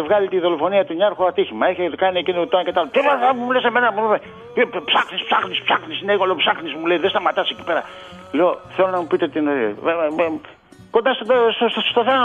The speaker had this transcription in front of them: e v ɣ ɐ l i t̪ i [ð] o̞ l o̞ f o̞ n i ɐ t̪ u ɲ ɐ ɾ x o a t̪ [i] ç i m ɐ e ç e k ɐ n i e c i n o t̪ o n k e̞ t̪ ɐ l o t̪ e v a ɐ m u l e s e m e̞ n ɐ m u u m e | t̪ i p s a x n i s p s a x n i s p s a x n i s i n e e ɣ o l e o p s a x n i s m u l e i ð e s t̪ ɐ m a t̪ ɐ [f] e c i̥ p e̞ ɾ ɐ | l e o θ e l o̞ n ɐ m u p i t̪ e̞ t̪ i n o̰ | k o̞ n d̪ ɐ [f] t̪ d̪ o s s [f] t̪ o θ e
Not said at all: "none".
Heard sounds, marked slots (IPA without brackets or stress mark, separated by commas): ð, i, s, s, s